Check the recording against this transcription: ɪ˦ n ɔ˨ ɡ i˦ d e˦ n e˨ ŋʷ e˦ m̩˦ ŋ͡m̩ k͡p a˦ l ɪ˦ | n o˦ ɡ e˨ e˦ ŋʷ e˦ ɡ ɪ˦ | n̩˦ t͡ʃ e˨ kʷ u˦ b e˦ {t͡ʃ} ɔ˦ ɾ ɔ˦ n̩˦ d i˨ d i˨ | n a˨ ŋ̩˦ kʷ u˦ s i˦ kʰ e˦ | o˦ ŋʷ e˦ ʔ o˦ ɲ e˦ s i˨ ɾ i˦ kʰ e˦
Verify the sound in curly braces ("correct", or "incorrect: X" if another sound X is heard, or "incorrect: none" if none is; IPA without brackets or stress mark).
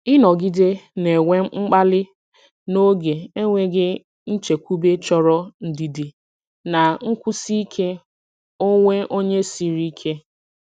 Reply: correct